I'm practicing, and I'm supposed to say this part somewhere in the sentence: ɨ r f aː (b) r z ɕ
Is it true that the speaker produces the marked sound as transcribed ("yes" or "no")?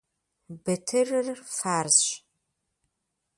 no